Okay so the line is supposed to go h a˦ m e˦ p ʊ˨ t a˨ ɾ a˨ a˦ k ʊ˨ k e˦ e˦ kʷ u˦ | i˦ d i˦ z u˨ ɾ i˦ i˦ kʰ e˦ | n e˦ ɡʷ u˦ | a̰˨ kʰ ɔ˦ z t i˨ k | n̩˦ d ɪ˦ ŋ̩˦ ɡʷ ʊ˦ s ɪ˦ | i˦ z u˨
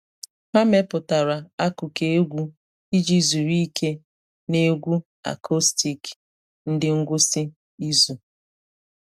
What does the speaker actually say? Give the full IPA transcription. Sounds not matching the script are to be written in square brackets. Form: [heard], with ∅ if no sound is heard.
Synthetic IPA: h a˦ m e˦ p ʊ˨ t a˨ ɾ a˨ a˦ k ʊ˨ k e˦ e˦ [ɡʷ] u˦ | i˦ [d͡ʒ] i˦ z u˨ ɾ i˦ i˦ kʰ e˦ | n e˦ ɡʷ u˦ | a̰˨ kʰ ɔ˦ [s] t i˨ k | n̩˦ d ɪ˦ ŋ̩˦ ɡʷ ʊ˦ s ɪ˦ | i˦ z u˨

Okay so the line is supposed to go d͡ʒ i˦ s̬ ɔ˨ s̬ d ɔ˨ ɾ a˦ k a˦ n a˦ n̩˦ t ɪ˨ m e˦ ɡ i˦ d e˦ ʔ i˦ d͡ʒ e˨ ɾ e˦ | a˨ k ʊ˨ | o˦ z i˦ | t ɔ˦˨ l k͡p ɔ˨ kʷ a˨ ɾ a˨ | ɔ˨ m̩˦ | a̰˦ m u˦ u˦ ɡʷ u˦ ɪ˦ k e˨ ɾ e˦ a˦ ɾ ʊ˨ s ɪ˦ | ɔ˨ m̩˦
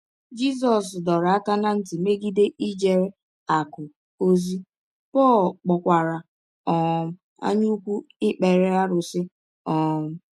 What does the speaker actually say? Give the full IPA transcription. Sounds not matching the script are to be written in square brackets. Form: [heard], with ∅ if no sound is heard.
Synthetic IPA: d͡ʒ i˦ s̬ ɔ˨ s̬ d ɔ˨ ɾ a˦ k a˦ n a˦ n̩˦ t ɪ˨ m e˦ ɡ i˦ d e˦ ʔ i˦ d͡ʒ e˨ ɾ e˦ | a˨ k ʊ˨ | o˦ z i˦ | [p] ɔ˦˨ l k͡p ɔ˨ kʷ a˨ ɾ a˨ | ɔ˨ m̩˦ | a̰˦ [ɲ] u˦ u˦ [kʷ] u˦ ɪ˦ [k͡p] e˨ ɾ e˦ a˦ ɾ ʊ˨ s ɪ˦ | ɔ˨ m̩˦

